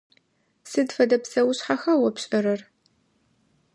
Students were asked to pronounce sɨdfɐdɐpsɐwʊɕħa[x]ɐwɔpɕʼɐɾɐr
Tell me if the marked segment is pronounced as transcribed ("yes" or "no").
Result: yes